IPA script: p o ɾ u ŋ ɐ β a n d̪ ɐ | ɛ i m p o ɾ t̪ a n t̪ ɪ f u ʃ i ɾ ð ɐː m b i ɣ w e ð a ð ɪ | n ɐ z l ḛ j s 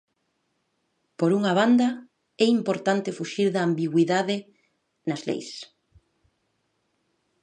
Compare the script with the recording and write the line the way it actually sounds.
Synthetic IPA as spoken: p o ɾ u ŋ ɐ β a n d̪ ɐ | ɛ i m p o ɾ t̪ a n t̪ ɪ f u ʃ i ɾ ð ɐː m b i ɣ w i ð a ð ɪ | n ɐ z l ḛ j s